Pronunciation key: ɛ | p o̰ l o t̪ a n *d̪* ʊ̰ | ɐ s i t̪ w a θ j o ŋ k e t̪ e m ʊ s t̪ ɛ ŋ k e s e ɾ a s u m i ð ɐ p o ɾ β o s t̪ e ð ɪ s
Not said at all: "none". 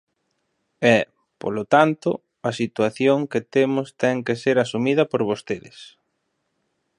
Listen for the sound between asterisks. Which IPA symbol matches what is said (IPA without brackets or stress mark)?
t̪